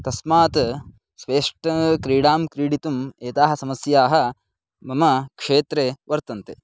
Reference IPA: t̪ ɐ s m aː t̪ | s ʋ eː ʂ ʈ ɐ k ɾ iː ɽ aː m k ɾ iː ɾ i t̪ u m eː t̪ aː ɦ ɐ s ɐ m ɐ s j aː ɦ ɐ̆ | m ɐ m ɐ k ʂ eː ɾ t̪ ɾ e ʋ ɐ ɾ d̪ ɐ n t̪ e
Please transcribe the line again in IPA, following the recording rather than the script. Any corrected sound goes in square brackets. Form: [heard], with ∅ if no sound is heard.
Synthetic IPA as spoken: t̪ ɐ s m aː t̪ | s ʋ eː ʂ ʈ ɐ k ɾ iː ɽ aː m k ɾ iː [ɽ] i t̪ u m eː t̪ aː ɦ ɐ s ɐ m ɐ s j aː ɦ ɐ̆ | m ɐ m ɐ k ʂ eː [∅] t̪ ɾ e ʋ ɐ ɾ [t̪] ɐ n t̪ e